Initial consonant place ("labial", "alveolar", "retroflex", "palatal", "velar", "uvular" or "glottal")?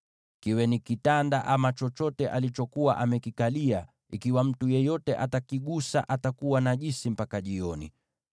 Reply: velar